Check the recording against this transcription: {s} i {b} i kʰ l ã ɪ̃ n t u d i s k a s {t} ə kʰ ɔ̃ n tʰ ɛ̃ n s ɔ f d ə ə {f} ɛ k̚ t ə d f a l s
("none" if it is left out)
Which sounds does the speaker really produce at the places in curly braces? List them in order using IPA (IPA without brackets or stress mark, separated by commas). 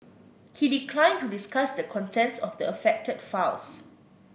h, d, d, f